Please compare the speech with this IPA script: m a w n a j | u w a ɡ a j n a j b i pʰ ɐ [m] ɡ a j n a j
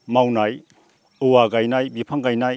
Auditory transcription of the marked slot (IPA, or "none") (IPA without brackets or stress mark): ŋ